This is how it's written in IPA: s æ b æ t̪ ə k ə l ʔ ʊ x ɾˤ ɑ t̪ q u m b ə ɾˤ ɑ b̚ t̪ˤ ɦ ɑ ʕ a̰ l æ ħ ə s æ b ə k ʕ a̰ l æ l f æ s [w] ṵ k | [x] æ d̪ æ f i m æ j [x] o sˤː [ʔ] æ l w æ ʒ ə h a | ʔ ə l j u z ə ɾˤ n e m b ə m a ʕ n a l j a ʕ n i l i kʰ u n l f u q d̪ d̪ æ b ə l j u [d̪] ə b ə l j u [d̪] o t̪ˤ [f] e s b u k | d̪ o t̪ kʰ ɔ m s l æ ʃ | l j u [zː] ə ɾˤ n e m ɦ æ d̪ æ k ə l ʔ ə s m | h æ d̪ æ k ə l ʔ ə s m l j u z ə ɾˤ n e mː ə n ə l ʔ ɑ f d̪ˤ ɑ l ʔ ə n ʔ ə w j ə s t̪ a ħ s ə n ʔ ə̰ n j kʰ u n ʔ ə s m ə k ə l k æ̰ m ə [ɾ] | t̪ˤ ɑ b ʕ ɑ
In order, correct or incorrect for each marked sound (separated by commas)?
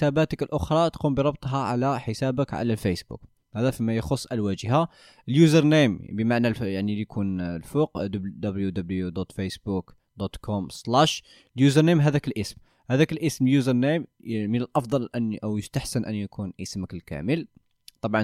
incorrect, incorrect, correct, correct, correct, correct, correct, incorrect, incorrect